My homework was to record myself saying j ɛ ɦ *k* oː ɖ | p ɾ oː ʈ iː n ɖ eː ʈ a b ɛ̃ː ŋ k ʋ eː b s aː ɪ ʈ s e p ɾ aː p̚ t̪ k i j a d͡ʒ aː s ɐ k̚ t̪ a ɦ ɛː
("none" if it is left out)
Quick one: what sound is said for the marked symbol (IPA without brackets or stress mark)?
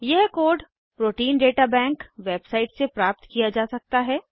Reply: k